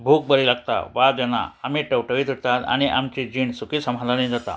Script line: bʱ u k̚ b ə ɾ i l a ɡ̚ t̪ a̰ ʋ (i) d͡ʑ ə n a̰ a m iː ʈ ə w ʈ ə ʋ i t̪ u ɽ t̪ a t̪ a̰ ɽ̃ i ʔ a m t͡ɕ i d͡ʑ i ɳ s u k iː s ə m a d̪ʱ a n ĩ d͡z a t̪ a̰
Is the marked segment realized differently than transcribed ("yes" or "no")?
yes